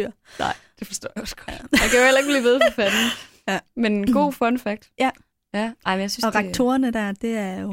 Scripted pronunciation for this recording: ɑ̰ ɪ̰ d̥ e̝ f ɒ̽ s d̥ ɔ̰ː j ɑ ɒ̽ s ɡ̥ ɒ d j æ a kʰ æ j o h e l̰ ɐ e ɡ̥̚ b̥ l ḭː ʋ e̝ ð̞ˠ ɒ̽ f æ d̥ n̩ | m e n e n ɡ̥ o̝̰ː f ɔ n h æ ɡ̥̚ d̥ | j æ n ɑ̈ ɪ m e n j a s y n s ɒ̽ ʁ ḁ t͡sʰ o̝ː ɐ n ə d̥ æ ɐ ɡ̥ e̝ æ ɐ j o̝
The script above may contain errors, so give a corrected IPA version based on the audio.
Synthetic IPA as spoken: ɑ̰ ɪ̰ d̥ e̝ f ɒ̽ s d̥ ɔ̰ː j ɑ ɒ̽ s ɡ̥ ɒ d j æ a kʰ æ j o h e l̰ ɐ e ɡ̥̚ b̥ l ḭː ʋ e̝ ð̞ˠ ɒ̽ f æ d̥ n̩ | m e n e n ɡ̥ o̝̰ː f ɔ n f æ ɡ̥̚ d̥ | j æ n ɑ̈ ɪ m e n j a s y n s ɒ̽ ʁ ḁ t͡sʰ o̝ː ɐ n ə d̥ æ ɐ d̥ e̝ æ ɐ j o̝